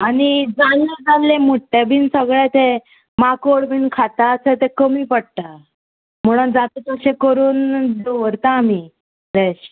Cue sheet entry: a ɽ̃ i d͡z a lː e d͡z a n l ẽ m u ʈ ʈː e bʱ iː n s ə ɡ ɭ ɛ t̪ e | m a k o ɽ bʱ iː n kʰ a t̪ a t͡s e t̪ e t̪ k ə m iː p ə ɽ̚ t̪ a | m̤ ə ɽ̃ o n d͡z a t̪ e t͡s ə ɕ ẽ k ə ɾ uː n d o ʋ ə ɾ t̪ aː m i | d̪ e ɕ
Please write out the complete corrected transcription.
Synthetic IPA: a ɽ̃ i d͡z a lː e d͡z a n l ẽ m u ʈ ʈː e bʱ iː n s ə ɡ ɭ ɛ t̪ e | m a k o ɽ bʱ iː n kʰ a t̪ a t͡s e t̪ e k ə m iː p ə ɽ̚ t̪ a | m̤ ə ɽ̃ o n d͡z a t̪ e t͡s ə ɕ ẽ k ə ɾ uː n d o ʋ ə ɾ t̪ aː m i | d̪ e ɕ